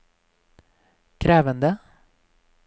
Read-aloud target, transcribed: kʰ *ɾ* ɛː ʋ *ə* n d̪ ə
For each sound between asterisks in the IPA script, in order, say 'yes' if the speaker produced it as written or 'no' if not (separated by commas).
yes, yes